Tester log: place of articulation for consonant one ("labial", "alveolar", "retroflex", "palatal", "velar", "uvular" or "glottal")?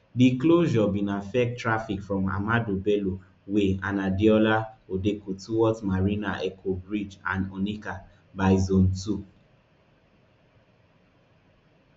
alveolar